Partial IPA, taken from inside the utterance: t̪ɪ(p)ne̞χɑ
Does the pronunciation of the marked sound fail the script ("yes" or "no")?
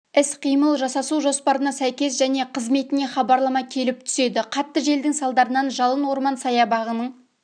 yes